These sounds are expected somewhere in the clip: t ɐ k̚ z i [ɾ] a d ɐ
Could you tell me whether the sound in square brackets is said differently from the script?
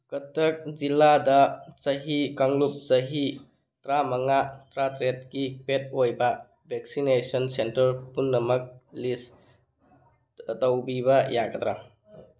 yes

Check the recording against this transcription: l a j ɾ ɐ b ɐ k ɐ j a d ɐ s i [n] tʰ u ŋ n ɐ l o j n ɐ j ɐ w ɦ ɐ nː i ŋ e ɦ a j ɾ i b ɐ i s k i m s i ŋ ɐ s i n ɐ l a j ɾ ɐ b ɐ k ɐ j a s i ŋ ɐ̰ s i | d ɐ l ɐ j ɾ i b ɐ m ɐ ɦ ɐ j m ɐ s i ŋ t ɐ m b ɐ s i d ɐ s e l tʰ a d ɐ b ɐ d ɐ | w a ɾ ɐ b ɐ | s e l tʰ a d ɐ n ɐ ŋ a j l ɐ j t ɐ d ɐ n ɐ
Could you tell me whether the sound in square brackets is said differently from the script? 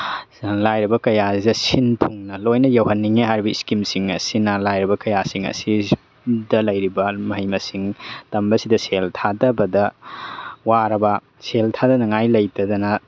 no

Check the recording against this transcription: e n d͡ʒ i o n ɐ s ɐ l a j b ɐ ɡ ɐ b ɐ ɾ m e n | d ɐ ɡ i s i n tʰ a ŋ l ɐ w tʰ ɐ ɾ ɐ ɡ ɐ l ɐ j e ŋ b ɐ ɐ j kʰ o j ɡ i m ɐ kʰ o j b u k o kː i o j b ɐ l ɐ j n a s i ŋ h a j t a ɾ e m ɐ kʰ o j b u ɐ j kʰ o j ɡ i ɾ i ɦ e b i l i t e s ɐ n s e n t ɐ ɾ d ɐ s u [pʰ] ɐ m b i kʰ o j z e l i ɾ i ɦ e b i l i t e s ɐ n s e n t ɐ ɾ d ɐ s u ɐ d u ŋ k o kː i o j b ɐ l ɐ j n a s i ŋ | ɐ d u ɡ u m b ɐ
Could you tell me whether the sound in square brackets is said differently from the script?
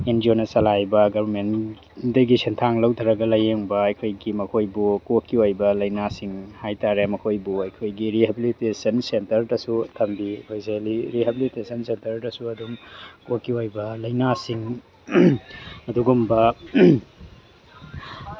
yes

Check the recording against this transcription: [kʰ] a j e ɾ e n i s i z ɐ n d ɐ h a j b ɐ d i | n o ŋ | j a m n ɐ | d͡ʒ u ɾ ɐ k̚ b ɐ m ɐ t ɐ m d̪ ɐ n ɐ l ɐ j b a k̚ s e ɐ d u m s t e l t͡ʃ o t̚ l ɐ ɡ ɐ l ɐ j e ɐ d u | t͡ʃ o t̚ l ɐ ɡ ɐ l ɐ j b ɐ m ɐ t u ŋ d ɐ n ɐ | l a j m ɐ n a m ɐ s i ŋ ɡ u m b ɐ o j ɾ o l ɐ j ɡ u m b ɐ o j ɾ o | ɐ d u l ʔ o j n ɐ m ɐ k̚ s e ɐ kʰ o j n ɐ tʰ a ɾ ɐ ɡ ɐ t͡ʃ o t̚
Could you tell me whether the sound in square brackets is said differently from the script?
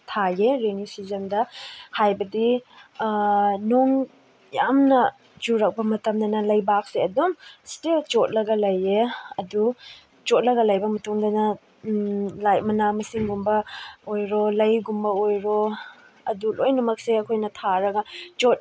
yes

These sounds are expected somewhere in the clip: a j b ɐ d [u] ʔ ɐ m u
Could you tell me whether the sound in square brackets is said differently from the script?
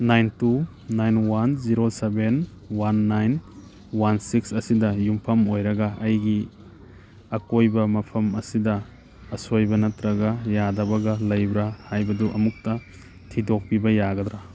no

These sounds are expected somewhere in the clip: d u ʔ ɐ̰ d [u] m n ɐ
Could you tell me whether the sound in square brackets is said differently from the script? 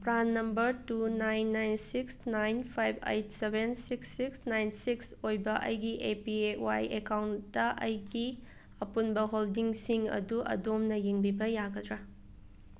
yes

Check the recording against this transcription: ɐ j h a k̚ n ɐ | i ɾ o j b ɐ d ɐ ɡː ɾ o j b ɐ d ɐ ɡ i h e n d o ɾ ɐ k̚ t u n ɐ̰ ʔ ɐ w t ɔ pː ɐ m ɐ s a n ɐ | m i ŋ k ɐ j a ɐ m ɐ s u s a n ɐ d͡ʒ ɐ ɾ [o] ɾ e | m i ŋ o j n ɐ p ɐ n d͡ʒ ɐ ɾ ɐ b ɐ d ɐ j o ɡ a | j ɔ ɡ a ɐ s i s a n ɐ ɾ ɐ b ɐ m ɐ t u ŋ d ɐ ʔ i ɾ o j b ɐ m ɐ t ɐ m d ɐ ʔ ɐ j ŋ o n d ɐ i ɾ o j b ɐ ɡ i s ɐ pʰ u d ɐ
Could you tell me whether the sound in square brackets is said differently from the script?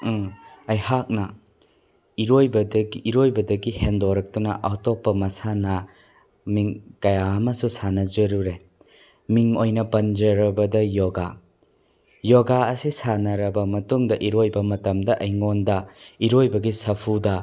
yes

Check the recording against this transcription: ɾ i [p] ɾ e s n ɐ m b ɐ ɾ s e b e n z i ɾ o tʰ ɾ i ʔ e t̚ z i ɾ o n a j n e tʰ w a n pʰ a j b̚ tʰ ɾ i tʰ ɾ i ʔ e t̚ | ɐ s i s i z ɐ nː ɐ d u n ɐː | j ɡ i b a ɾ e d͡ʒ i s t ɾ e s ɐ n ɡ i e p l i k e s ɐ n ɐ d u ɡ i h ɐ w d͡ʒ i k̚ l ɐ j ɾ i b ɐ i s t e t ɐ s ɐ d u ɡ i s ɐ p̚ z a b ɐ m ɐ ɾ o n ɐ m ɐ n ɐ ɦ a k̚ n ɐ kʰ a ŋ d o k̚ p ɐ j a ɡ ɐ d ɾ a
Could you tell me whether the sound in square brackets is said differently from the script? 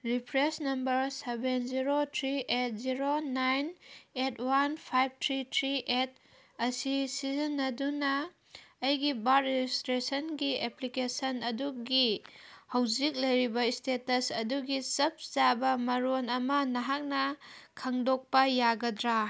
yes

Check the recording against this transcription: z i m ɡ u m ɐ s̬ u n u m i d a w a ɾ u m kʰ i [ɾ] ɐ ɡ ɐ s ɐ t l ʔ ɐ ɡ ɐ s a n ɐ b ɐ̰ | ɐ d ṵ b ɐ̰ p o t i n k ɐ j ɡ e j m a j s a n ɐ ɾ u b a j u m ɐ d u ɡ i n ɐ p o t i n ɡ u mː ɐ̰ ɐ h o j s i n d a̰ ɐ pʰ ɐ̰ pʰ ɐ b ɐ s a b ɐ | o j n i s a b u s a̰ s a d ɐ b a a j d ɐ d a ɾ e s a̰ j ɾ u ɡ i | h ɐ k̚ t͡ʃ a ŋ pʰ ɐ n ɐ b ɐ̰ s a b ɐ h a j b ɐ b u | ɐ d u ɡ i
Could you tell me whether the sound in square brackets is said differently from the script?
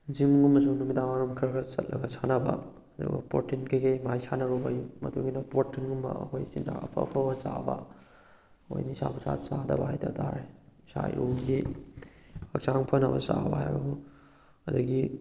no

